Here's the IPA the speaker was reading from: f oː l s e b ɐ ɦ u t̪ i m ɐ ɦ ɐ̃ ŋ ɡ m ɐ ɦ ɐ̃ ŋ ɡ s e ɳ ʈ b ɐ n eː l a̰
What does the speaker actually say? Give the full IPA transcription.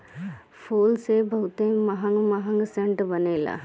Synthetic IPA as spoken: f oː l s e b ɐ ɦ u t̪ e m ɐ ɦ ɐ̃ ŋ ɡ m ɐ ɦ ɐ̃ ŋ ɡ s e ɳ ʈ b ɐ n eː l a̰